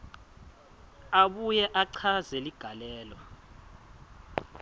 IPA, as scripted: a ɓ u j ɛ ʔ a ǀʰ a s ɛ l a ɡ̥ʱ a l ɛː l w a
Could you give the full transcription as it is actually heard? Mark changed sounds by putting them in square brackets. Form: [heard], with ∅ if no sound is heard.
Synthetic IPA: a ɓ u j ɛ ʔ a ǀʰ a [z] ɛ l [i] ɡ̥ʱ a l ɛː l w a